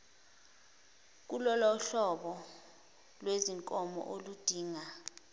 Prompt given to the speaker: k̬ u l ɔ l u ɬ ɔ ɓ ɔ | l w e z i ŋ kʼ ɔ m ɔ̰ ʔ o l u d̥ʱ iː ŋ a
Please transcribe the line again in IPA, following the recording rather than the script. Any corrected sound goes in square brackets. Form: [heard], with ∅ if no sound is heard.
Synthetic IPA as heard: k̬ u l ɔ l [ɔ] ɬ ɔ ɓ ɔ | l w e z i ŋ kʼ ɔ m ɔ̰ ʔ o l u d̥ʱ iː ŋ a